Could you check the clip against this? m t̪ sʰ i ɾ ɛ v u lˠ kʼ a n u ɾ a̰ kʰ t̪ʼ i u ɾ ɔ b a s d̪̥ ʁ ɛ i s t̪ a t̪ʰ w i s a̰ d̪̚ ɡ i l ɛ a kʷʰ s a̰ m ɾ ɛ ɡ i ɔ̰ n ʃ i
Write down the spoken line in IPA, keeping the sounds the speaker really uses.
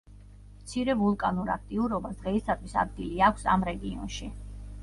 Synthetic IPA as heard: m t̪ sʰ i ɾ ɛ v u lˠ kʼ a n u ɾ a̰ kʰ t̪ʼ i u ɾ ɔ b a s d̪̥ ʁ ɛ i s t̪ a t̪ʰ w i s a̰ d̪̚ ɡ i l i a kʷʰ s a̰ m ɾ ɛ ɡ i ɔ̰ n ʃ i